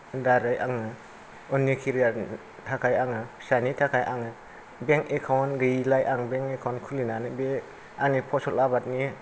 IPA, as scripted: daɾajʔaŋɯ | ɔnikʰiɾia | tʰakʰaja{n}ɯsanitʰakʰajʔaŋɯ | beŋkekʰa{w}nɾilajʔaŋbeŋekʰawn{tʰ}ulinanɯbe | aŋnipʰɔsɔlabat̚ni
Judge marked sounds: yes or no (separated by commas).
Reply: no, yes, no